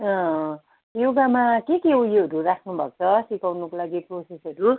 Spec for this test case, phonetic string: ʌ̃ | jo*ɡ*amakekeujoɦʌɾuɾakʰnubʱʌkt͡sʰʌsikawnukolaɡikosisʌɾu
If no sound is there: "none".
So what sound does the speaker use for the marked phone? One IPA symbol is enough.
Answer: ɡ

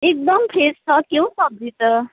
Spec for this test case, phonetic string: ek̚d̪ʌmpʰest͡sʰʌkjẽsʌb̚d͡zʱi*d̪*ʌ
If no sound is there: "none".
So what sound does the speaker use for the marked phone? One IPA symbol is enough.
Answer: t̪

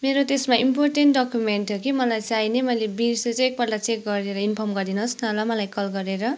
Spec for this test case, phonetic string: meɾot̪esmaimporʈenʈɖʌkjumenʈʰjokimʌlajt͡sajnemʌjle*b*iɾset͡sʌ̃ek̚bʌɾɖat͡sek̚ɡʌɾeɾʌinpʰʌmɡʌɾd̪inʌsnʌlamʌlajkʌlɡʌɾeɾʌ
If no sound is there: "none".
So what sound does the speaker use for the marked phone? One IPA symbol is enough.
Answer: b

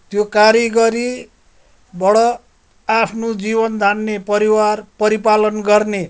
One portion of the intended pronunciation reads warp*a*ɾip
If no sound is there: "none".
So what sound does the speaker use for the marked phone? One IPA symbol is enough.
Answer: ʌ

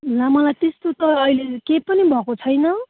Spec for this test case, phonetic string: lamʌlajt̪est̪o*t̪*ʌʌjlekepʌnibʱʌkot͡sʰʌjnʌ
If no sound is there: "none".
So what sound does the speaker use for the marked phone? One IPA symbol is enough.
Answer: t̪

